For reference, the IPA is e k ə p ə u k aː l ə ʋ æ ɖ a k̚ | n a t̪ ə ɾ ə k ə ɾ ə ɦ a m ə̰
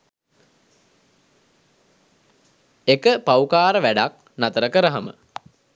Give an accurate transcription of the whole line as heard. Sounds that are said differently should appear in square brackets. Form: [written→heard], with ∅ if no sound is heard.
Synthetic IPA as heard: e k ə p [ə→a] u k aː [l→ɾ] ə ʋ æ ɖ a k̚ | n a t̪ ə ɾ ə k ə ɾ ə ɦ a m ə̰